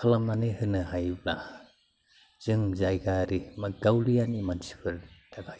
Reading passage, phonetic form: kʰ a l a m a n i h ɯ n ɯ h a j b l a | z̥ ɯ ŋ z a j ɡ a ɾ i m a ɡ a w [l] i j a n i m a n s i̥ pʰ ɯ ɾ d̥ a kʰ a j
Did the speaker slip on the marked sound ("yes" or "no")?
no